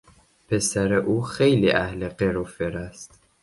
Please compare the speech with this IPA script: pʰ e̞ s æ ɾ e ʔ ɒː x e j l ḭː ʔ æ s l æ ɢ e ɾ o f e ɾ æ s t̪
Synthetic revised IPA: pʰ e̞ s æ ɾ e ʔ uː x e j l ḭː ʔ æ h l e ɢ e ɾ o f e ɾ æ s t̪